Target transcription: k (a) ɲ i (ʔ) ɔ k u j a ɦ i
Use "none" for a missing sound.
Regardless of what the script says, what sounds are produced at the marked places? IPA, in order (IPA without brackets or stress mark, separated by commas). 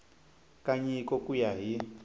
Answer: a, k